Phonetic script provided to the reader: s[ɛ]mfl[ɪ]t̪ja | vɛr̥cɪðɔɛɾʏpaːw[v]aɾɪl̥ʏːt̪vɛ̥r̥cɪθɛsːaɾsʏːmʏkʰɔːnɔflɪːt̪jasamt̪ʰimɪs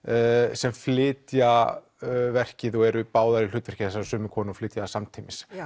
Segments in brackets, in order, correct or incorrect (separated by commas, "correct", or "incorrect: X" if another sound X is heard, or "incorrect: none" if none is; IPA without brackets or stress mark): correct, incorrect: ɪː, incorrect: ð